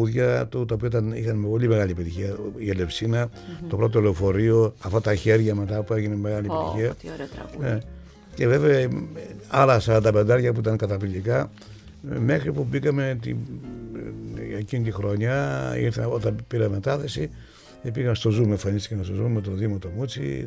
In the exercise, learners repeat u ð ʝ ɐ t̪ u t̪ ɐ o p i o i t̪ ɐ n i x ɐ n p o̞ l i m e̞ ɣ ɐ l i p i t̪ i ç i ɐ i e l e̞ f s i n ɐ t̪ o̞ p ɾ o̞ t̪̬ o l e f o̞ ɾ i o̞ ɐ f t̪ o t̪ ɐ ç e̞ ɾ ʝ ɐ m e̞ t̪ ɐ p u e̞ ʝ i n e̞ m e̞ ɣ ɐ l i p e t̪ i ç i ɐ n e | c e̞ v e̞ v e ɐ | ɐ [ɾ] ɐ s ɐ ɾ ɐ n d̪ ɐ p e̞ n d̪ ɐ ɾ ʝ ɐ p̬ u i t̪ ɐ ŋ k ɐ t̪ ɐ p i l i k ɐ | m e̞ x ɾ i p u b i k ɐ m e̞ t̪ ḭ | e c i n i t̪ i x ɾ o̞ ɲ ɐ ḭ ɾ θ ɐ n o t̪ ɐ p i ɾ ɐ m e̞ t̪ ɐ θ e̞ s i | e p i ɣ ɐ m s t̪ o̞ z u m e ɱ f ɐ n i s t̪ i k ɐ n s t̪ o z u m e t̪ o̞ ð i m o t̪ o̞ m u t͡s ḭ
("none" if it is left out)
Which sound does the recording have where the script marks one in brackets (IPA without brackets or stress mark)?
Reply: l